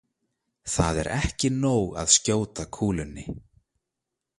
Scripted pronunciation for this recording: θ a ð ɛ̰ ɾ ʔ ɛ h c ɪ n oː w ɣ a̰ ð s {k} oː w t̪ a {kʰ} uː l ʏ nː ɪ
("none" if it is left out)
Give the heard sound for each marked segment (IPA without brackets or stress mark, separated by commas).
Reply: c, kʰ